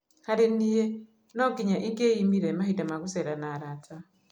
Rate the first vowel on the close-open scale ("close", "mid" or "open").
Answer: open